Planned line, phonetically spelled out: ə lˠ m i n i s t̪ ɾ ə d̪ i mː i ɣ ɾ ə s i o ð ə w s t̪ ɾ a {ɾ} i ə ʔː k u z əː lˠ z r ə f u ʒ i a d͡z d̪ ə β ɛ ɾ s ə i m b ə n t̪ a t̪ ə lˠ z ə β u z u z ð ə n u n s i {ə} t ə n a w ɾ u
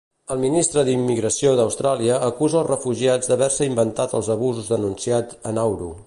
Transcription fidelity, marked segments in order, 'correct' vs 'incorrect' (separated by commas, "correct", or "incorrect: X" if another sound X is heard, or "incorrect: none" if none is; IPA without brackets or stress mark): incorrect: l, incorrect: a